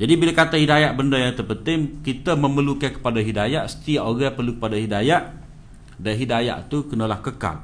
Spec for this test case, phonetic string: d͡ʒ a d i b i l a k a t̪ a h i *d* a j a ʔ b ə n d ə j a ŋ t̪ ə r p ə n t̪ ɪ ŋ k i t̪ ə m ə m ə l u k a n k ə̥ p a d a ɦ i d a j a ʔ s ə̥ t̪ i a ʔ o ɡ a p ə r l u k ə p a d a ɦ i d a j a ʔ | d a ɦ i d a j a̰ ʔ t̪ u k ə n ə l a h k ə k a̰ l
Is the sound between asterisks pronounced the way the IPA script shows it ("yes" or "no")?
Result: yes